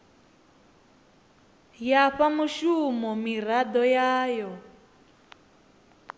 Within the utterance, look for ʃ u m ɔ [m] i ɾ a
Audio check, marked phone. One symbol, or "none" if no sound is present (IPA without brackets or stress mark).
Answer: m